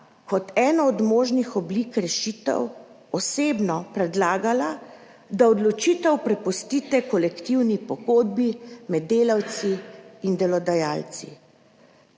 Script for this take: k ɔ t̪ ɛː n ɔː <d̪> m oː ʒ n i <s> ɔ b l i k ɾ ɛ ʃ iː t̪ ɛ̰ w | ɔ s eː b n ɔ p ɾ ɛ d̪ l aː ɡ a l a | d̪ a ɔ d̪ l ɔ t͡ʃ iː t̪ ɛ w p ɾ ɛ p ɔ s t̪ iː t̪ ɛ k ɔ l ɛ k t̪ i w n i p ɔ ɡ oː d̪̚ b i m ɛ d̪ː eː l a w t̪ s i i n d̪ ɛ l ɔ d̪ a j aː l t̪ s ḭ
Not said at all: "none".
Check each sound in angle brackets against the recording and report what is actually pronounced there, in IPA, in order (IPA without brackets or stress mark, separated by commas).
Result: d̪, x